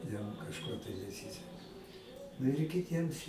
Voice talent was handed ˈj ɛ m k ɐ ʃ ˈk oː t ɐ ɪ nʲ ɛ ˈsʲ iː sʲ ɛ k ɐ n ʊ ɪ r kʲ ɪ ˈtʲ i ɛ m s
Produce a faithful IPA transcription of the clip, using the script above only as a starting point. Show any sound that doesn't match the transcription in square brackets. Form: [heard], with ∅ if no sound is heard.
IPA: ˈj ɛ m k ɐ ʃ ˈk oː t ɐ ɪ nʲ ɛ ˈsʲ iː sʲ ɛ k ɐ n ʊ ɪ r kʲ ɪ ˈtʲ i ɛ m s